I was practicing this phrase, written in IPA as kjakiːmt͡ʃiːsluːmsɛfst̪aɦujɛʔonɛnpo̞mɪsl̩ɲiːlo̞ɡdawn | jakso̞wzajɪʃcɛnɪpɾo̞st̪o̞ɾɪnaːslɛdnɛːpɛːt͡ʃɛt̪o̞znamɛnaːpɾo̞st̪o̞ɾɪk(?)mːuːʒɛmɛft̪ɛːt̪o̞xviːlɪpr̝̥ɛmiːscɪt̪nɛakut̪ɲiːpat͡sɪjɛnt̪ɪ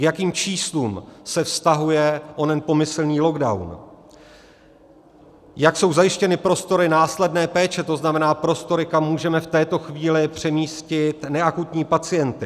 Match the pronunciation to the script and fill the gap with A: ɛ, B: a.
B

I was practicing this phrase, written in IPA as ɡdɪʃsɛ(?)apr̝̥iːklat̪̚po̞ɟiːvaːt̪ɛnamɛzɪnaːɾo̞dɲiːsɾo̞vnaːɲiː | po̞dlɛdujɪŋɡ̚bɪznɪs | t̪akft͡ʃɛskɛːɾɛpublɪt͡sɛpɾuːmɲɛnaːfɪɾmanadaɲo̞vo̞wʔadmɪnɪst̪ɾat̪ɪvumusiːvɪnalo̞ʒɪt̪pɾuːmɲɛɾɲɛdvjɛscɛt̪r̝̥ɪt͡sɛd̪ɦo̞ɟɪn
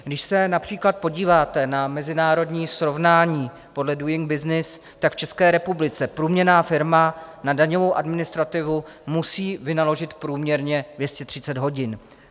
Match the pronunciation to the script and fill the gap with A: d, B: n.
B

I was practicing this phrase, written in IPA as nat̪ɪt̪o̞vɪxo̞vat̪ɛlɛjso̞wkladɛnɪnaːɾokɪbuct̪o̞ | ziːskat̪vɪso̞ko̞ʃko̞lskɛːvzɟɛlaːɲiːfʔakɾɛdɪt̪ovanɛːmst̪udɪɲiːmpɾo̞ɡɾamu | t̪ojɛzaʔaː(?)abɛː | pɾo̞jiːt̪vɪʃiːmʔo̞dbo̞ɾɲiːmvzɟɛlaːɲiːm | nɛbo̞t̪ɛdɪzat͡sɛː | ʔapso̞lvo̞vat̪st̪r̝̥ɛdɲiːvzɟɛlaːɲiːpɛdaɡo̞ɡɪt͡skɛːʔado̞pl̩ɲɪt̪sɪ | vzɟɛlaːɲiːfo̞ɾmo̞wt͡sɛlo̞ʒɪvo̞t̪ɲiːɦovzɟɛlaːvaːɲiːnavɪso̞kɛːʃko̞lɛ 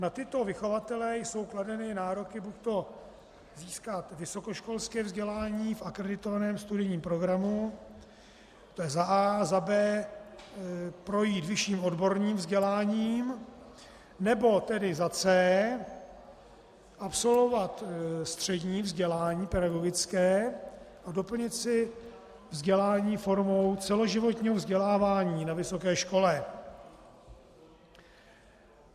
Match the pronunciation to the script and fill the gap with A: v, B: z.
B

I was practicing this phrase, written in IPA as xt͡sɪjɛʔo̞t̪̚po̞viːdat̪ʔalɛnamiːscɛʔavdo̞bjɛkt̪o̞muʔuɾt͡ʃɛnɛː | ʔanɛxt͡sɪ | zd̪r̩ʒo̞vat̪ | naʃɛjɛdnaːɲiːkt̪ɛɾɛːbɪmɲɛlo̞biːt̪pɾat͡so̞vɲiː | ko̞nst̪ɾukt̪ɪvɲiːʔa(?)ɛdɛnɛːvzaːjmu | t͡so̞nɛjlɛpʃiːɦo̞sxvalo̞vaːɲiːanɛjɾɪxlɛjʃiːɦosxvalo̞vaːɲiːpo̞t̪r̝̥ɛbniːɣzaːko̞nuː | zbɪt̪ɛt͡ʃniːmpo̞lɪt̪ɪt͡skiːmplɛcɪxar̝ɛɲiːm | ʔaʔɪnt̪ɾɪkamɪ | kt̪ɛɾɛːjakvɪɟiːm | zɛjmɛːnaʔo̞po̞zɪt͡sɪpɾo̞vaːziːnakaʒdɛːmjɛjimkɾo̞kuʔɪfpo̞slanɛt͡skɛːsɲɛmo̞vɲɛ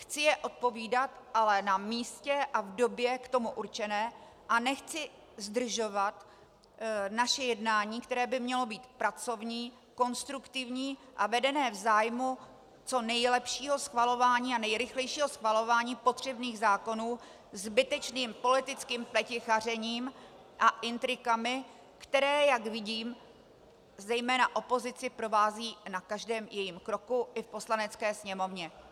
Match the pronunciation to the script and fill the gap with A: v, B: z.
A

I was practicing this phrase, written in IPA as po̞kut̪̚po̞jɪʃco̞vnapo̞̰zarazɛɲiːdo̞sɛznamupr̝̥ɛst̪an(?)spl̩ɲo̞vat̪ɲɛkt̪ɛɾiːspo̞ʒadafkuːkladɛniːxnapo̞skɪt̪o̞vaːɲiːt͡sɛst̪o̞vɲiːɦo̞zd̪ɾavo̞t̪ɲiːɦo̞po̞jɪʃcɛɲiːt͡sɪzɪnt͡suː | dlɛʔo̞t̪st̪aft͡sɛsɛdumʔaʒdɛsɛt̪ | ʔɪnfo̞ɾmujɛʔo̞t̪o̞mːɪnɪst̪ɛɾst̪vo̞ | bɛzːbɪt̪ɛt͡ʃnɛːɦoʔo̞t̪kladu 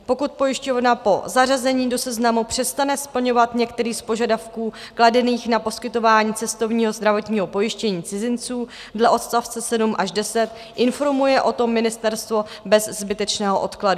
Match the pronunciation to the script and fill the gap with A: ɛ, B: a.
A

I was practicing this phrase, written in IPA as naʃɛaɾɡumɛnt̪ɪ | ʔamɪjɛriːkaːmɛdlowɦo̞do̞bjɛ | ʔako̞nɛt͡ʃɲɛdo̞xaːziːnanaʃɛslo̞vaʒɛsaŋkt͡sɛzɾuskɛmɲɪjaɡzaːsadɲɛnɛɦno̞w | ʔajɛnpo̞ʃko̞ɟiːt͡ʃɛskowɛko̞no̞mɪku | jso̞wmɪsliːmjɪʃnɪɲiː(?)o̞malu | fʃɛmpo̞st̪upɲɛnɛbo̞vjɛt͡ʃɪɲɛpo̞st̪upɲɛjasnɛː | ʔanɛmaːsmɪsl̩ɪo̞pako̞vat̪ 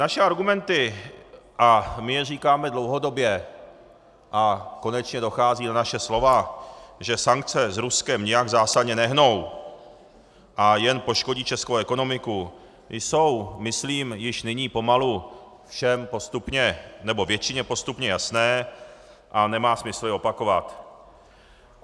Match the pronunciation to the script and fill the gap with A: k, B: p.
B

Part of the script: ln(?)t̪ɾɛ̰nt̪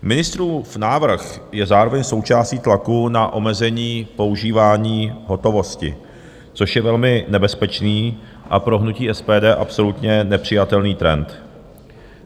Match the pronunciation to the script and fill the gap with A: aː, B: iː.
B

